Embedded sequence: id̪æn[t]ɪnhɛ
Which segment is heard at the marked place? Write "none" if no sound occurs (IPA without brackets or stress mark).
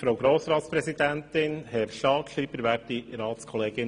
t